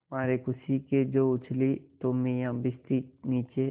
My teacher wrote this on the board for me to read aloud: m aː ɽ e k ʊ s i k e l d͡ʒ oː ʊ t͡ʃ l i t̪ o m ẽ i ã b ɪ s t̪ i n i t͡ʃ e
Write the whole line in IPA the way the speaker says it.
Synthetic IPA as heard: m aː ɾ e k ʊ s i k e d͡ʒ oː ʊ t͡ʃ l i t̪ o m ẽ j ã b ɪ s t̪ i n iː t͡ʃ e